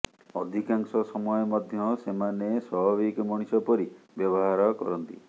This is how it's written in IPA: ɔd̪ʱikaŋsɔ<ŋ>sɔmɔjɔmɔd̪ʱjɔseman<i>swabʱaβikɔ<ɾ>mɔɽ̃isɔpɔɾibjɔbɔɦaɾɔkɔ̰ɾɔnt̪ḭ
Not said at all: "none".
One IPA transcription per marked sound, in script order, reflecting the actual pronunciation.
none, e, none

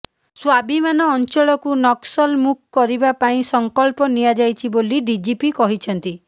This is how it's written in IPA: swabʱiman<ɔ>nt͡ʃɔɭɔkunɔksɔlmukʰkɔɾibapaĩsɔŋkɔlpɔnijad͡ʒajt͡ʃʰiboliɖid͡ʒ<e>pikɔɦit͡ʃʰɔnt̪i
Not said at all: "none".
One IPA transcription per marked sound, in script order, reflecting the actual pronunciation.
ɔː, i

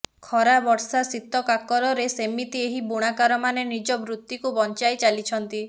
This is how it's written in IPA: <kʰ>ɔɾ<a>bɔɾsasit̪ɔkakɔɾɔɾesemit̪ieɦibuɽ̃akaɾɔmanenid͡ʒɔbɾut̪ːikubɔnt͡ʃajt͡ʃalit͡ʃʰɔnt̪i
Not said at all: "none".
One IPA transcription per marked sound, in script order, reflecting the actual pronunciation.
kʰ, a

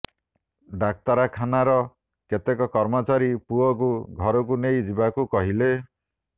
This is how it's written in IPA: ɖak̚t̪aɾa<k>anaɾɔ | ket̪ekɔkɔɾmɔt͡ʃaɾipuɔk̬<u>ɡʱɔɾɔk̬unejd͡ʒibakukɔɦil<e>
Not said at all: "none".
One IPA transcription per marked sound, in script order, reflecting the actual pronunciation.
kʰ, u, e

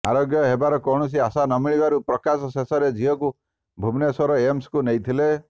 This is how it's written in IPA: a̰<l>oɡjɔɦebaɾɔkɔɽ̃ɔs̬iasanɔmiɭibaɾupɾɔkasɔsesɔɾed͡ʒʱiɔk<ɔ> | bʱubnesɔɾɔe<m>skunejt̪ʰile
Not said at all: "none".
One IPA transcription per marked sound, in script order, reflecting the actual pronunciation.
ɾ, u, m

